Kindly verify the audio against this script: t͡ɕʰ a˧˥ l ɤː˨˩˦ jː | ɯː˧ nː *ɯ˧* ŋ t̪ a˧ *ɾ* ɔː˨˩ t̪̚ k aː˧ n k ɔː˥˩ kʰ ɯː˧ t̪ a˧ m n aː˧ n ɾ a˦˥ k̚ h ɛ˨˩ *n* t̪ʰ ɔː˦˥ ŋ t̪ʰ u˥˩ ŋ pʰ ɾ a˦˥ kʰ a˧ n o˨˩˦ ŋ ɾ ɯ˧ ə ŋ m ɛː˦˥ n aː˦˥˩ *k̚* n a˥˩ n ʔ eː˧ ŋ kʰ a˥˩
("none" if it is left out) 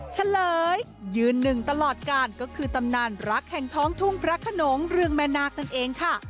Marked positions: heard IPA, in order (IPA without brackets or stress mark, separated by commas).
ɯ˨˩, l, ŋ, k̚